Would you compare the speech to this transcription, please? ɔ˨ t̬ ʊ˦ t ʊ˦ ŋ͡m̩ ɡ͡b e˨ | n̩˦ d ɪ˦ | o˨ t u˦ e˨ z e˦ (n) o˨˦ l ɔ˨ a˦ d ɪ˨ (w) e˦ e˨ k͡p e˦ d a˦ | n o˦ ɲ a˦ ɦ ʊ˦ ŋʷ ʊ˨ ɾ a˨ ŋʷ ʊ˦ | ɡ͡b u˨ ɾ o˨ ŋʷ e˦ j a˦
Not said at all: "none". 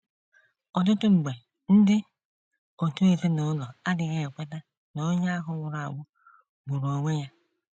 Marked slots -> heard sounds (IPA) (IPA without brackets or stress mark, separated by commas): n, ɣ